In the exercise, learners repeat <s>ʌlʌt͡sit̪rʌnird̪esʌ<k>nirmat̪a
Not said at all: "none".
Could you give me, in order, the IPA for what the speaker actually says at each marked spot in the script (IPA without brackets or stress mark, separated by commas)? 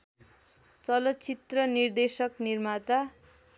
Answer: t͡s, k